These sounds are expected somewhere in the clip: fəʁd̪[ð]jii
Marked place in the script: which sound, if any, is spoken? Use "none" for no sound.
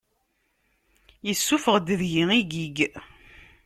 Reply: ð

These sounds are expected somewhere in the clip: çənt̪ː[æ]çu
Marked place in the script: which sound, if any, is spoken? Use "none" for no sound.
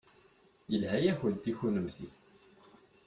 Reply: i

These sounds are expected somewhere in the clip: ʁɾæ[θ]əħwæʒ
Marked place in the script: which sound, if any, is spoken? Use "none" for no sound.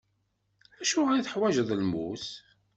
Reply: θ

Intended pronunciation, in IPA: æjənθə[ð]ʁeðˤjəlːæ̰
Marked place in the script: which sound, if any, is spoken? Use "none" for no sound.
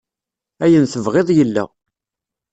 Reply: v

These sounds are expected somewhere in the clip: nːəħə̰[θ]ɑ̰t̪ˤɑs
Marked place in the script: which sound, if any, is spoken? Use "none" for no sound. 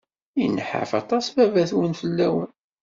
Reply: f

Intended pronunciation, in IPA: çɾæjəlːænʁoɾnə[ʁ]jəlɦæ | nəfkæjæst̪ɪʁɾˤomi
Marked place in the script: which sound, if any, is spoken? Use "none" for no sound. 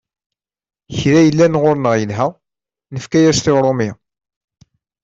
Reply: ʁ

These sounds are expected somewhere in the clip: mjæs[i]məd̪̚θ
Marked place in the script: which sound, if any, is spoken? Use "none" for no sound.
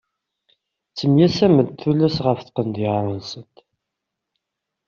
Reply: æ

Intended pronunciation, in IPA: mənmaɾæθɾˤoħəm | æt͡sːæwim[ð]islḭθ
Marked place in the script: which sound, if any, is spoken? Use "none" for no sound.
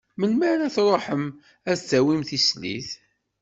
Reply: θ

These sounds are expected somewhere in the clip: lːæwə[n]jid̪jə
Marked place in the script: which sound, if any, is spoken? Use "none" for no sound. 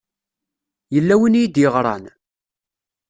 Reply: n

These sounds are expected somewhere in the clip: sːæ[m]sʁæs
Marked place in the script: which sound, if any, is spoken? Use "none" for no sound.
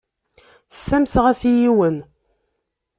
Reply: m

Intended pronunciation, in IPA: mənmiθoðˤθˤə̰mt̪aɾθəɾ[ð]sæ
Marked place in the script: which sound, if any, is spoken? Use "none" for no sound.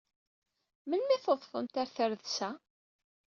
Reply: ð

